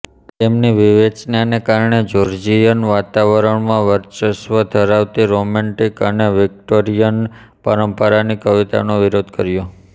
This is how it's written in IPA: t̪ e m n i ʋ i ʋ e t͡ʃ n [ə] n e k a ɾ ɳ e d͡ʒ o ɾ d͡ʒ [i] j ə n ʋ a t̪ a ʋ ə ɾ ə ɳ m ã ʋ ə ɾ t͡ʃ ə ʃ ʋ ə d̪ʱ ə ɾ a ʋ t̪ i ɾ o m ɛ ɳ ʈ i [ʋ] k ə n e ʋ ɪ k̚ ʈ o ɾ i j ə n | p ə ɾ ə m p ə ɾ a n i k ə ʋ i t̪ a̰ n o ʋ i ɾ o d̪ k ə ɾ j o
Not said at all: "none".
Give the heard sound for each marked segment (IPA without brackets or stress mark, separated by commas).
a, i, none